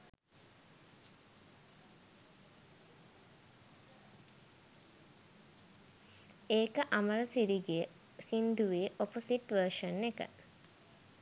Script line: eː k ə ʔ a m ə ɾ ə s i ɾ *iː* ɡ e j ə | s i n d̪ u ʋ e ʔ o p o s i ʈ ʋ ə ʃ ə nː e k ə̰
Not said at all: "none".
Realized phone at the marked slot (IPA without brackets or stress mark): i